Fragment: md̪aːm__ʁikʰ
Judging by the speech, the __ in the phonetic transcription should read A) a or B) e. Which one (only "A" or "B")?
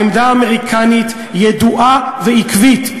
B